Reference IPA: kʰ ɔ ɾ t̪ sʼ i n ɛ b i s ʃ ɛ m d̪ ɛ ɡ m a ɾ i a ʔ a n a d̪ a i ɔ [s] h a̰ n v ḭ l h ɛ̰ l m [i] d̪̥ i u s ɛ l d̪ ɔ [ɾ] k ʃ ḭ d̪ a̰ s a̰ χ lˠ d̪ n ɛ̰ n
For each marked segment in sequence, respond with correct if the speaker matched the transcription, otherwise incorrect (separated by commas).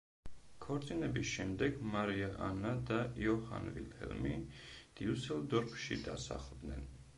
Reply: incorrect, correct, correct